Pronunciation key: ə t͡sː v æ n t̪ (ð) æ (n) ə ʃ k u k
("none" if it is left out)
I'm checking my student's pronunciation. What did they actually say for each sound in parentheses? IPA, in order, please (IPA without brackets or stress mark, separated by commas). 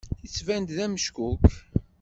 ð, m